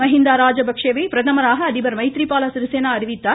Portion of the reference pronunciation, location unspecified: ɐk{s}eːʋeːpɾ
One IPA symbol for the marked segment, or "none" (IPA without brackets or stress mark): ʂ